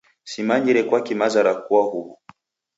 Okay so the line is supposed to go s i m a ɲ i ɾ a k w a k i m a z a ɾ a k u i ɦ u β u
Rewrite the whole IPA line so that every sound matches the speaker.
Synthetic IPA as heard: s i m a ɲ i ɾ ɛ k w a k i m a z a ɾ a k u a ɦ u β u